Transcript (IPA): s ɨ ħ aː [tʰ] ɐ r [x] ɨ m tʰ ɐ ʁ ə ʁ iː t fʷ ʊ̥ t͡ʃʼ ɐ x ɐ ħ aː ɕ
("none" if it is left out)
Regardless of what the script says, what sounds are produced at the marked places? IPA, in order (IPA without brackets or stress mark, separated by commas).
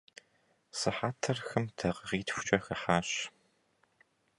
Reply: tʰ, x